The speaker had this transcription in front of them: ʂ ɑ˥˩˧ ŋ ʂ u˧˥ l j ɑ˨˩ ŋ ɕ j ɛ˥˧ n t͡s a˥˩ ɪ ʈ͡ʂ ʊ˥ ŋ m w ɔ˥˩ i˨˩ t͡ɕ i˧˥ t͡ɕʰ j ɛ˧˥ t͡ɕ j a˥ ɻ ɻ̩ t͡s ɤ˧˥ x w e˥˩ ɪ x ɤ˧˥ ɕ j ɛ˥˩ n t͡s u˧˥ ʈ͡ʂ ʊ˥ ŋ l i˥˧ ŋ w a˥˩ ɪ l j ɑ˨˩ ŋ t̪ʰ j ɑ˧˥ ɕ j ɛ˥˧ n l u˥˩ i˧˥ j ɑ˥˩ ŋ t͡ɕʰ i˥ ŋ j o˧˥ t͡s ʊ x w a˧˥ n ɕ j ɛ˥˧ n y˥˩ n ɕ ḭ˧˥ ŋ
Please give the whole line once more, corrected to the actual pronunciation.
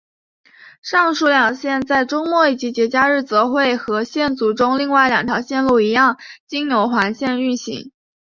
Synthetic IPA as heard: ʂ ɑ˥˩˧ ŋ ʂ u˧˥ l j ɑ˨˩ ŋ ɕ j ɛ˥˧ n t͡s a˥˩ ɪ ʈ͡ʂ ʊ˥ ŋ m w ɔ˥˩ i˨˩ t͡ɕ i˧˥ t͡ɕ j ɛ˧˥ t͡ɕ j a˥ ɻ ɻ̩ t͡s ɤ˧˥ x w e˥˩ ɪ x ɤ˧˥ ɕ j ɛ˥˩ n t͡s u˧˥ ʈ͡ʂ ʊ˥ ŋ l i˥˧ ŋ w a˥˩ ɪ l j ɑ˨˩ ŋ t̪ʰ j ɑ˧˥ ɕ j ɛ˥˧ n l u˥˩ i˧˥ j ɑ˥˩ ŋ t͡ɕ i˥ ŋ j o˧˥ ʊ x w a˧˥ n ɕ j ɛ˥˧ n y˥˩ n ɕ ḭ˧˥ ŋ

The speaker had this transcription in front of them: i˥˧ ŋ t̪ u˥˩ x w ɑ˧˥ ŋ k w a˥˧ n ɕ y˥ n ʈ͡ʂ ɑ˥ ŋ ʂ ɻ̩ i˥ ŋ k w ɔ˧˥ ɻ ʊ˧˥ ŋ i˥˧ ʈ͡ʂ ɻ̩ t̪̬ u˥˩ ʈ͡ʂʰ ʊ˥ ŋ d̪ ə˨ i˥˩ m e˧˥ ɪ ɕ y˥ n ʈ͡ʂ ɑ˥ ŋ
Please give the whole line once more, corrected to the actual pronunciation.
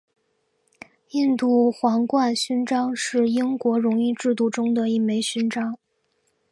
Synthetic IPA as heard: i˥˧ n t̪ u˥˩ x w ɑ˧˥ ŋ k w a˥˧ n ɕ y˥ n ʈ͡ʂ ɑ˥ ŋ ʂ ɻ̩ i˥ ŋ k w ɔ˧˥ ɻ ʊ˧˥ ŋ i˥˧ ʈ͡ʂ ɻ̩ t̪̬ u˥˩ ʈ͡ʂ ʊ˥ ŋ d̪ ə˨ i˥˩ m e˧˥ ɪ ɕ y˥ n ʈ͡ʂ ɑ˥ ŋ

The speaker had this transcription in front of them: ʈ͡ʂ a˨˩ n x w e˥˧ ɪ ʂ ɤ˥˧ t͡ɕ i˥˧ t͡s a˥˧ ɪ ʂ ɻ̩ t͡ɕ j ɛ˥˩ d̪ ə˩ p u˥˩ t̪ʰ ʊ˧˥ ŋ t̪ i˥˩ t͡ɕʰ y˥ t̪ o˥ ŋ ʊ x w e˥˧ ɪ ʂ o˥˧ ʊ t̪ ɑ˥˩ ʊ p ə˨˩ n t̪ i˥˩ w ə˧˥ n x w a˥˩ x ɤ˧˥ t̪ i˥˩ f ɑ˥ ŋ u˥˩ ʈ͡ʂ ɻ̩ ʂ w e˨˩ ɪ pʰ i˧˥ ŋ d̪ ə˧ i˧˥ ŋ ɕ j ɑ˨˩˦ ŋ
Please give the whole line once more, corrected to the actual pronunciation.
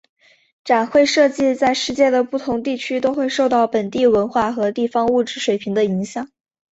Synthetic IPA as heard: ʈ͡ʂ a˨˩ n x w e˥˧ ɪ ʂ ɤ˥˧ t͡ɕ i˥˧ t͡s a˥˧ ɪ ʂ ɻ̩ t͡ɕ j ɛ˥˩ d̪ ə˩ p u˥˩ t̪ʰ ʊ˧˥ ŋ t̪ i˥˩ t͡ɕʰ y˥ t̪ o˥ ʊ x w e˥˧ ɪ ʂ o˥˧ ʊ t̪ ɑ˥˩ ʊ p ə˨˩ n t̪ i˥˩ w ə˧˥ n x w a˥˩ x ɤ˧˥ t̪ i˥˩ f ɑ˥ ŋ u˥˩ ʈ͡ʂ ɻ̩ ʂ w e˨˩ ɪ pʰ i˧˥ ŋ d̪ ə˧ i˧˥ ŋ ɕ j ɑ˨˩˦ ŋ

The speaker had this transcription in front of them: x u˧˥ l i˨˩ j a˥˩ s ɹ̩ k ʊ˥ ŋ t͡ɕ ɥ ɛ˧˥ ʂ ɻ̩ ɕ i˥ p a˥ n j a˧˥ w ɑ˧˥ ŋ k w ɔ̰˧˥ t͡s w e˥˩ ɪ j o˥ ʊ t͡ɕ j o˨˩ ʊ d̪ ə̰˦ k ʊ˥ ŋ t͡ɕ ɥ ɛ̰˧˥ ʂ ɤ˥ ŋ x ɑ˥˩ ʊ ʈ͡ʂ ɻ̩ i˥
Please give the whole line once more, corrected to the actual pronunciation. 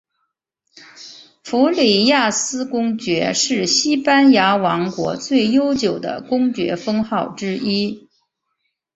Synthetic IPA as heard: f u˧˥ l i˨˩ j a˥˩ s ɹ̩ k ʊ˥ ŋ t͡ɕ ɥ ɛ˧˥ ʂ ɻ̩ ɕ i˥ p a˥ n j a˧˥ w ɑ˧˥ ŋ k w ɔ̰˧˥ t͡s w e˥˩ ɪ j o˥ ʊ t͡ɕ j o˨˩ ʊ d̪ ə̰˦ k ʊ˥ ŋ t͡ɕ ɥ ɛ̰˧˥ f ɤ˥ ŋ x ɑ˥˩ ʊ ʈ͡ʂ ɻ̩ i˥

